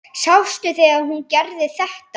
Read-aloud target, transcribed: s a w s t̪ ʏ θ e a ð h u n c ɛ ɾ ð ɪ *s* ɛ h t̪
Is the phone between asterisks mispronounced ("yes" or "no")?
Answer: yes